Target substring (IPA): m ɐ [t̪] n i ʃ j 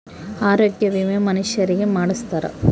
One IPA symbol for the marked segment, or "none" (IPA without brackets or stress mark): none